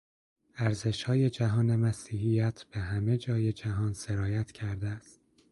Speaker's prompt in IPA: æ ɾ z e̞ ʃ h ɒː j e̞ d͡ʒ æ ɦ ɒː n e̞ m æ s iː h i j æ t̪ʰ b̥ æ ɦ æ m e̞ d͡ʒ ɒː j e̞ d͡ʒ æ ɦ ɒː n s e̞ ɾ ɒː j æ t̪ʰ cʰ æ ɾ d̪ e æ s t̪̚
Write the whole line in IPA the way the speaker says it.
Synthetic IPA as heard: æ ɾ z e̞ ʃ h ɒː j e̞ d͡ʒ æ ɦ ɒː n e̞ m æ s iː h i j æ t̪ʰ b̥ e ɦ æ m e̞ d͡ʒ ɒː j e̞ d͡ʒ æ ɦ ɒː n s e̞ ɾ ɒː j æ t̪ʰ cʰ æ ɾ d̪ e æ s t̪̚